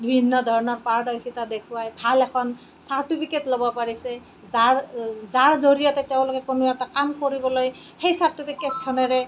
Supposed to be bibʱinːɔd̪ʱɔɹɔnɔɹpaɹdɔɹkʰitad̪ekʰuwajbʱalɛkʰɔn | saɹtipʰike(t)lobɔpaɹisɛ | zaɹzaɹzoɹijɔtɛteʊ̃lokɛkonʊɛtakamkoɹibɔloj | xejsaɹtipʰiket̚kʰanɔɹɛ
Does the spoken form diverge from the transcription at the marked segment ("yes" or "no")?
no